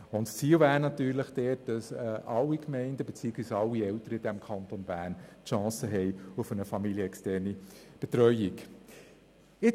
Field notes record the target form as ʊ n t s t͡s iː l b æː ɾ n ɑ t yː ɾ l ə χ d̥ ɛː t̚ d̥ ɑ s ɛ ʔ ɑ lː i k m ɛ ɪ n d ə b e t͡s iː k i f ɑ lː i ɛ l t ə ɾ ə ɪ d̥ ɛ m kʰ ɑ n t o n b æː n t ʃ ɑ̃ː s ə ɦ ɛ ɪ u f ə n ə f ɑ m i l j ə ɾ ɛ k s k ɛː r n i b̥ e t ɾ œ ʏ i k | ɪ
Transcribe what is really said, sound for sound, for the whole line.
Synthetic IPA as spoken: ʊ n t s t͡s iː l v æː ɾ n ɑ t yː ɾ l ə χ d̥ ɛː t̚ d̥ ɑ s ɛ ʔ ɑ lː i k m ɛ ɪ n d ə b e t͡s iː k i s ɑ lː i ɛ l t ə ɾ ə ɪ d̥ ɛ m kʰ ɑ n t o n b æː n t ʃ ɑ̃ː s ə ɦ ɛ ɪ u f ə n ə f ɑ m i l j ə ɛ k s t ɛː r n i b̥ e t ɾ œ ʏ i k | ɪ

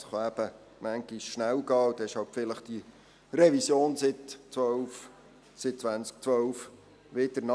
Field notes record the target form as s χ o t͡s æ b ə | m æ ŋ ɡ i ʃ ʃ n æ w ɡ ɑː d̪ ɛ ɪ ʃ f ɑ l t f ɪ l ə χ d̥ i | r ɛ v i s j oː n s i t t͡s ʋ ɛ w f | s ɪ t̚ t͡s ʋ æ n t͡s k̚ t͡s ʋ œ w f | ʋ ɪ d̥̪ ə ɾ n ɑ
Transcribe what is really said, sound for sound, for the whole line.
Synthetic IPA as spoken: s χ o æ b ə | m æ ŋ ɡ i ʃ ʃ n æ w ɡ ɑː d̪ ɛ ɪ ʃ h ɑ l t f ɪ l ə χ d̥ i | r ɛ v i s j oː n s ɪ t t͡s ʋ œ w f | s ɪ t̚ t͡s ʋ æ n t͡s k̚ t͡s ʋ œ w f | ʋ ɪ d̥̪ ə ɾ n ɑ

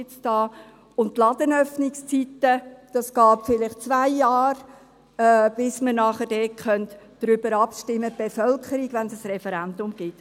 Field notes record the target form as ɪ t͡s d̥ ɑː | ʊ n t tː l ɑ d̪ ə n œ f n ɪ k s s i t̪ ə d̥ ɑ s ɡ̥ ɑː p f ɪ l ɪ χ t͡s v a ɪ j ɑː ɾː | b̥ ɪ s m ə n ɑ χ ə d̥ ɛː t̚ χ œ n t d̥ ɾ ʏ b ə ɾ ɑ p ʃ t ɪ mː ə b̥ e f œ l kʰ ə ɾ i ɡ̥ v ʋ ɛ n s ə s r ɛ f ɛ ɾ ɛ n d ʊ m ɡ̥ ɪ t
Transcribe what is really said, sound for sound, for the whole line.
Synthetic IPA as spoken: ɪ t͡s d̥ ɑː | ʊ n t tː l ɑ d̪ ə n œ f n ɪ k s t͡s i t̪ ə d̥ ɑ s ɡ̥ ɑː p f ɪ l ɪ χ t͡s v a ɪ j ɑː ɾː | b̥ ɪ s m ə n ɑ χ ə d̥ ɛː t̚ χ œ n t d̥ ɾ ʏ b ə ɾ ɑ p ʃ t ɪ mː ə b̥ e f œ l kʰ ə ɾ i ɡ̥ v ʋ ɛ n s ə s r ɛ f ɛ ɾ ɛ n d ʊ m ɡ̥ ɪ t

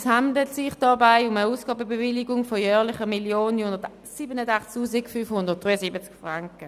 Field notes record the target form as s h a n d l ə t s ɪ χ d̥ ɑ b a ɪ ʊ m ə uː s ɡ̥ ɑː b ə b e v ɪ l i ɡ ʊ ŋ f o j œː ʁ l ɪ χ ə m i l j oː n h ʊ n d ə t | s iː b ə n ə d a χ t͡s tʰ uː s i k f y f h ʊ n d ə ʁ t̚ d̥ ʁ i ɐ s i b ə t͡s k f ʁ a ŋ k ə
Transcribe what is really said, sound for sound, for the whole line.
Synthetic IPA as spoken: s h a n d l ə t s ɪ χ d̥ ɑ b a ɪ ʊ m ə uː s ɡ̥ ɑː b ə b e v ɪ l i ɡ ʊ ŋ f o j œː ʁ l ɪ χ ə m i l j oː n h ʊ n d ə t | s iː b ə n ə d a χ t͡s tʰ uː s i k f y f h ʊ n d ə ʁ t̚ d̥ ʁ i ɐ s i b ə t͡s k f ʁ a ŋ k ə

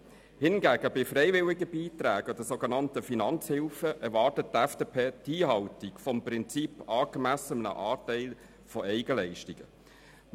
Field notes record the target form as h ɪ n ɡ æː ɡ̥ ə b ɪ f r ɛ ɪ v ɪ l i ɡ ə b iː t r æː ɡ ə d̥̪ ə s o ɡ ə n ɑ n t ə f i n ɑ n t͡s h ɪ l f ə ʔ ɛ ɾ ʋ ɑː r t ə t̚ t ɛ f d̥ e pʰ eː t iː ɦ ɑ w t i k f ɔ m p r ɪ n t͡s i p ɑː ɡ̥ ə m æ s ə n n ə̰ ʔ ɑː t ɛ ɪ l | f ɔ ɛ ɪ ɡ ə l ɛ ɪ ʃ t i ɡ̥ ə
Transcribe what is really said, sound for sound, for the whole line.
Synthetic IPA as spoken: h ɪ n ɡ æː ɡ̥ ə b ɪ f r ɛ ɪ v ɪ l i ɡ ə b iː t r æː ɡ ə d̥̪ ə s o ɡ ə n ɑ n t ə f i n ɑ n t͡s h ɪ l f ə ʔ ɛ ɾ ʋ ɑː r t ə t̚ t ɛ f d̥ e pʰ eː t iː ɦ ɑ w t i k f ɔ m p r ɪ n t͡s i p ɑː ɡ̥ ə m æ s ə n n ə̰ ʔ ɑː t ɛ ɪ l | f ɔ ɛ ɪ ɡ ə l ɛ ɪ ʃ t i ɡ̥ ə

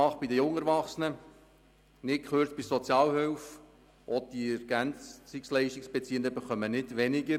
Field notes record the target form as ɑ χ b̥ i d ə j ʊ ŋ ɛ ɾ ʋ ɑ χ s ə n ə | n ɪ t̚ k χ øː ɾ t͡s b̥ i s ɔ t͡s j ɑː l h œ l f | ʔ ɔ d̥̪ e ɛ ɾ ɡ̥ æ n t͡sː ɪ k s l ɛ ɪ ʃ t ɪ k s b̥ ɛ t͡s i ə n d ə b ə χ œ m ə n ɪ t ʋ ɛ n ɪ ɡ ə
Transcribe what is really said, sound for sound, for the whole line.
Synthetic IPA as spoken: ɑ χ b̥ i d ə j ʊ ŋ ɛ ɾ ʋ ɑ χ s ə n ə | n ɪ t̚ k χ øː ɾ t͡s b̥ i s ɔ t͡s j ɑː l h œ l f | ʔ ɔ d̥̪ i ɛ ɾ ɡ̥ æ n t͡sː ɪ k s l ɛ ɪ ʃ t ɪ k s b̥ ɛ t͡s i ə n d ə b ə χ œ m ə n ɪ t ʋ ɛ n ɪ ɡ ə

